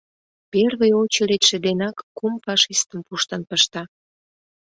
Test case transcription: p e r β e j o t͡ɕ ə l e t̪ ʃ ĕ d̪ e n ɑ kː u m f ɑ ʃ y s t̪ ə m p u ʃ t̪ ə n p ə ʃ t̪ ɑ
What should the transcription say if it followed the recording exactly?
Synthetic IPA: p e r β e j o t͡ɕ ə l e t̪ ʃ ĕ d̪ e n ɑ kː u m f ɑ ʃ i s t̪ ə m p u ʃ t̪ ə n p ə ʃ t̪ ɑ